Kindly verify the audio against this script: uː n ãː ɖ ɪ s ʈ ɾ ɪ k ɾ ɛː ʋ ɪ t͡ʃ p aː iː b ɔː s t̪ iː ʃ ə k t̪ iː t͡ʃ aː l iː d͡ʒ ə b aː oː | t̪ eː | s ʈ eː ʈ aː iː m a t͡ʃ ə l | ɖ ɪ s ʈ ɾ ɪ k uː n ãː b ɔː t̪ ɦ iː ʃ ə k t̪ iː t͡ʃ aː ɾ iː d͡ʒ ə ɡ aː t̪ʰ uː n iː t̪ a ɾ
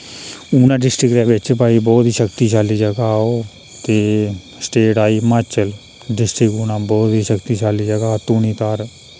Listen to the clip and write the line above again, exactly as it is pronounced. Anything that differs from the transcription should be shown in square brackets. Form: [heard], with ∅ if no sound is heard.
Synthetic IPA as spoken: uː n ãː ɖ ɪ s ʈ ɾ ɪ k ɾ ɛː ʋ ɪ t͡ʃ p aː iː b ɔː [∅] t̪ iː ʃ ə k t̪ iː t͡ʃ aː l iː d͡ʒ ə [ɡ] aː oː | t̪ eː | s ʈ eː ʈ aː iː m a t͡ʃ ə l | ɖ ɪ s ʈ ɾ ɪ k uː n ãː b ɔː t̪ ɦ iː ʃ ə k t̪ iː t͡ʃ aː [l] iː d͡ʒ ə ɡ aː [t̪] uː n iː t̪ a ɾ